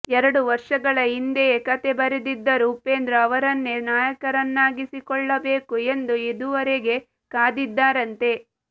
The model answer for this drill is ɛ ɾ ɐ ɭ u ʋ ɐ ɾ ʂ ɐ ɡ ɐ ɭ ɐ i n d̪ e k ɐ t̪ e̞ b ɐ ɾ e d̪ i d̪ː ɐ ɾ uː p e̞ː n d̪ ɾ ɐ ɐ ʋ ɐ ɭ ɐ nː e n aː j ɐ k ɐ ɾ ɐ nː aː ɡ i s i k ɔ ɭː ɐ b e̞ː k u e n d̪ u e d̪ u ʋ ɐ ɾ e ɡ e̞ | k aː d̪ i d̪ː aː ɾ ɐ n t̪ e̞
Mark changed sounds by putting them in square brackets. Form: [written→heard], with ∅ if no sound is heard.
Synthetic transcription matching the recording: ɛ ɾ ɐ [ɭ→ɽ] u ʋ ɐ ɾ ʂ ɐ ɡ ɐ ɭ ɐ i n d̪ e k ɐ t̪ e̞ b ɐ ɾ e d̪ i d̪ː ɐ ɾ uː p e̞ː n d̪ ɾ ɐ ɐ ʋ ɐ [ɭ→ɾ] ɐ nː e n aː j ɐ k ɐ ɾ ɐ nː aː ɡ i s i k ɔ ɭː ɐ b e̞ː k u e n d̪ u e d̪ u ʋ ɐ ɾ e ɡ e̞ | k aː d̪ i d̪ː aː ɾ ɐ n t̪ e̞